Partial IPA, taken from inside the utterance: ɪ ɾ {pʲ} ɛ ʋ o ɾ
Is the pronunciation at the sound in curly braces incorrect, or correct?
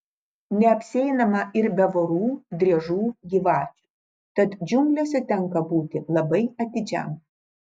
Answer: incorrect